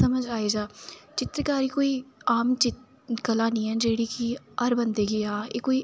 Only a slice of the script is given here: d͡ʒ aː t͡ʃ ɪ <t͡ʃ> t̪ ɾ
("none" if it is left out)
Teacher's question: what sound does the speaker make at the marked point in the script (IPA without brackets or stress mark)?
none